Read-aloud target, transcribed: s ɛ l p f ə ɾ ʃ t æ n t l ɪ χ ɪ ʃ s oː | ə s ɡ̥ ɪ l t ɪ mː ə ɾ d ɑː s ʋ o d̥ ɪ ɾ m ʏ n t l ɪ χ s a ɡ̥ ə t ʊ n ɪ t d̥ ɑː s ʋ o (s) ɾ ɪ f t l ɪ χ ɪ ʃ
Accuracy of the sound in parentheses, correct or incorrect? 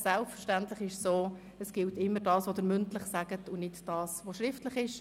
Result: incorrect